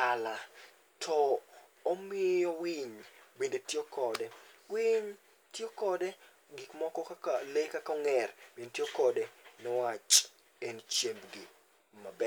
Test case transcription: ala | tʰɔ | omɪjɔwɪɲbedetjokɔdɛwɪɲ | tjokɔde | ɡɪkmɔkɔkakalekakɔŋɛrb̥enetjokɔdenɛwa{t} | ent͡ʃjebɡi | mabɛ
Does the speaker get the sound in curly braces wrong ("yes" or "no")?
yes